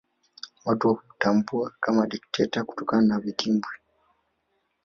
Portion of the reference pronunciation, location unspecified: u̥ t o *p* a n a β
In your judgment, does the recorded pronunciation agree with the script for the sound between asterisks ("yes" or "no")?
no